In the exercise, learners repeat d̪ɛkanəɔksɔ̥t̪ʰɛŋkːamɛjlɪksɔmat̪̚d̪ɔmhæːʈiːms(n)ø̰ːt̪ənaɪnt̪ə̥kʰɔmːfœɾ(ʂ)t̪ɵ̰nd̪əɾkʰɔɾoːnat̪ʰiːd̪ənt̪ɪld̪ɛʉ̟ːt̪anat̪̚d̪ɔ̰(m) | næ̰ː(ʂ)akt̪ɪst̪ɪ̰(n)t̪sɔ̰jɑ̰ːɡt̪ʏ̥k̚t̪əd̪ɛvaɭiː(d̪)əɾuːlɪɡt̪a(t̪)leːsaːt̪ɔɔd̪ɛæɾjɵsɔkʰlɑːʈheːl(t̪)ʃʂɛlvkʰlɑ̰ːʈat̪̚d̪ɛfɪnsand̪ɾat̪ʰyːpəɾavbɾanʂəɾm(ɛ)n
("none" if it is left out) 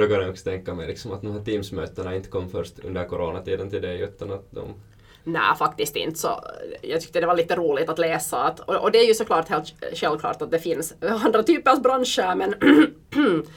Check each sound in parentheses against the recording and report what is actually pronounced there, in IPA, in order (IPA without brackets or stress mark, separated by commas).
m, ʂ, m, f, n, t̪, t̪, t̪, ɛ